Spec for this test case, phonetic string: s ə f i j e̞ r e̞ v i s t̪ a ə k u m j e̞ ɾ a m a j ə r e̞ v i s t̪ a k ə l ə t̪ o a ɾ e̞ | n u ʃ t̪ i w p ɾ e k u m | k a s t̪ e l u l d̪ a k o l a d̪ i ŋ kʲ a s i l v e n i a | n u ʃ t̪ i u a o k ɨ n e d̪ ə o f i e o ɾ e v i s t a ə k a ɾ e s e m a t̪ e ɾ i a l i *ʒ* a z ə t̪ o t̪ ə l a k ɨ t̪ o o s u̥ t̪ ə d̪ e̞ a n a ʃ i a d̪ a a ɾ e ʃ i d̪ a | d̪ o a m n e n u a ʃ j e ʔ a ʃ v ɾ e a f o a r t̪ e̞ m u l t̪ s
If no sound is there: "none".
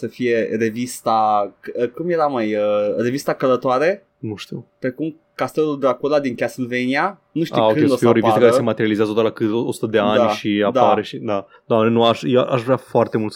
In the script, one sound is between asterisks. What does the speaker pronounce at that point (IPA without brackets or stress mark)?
z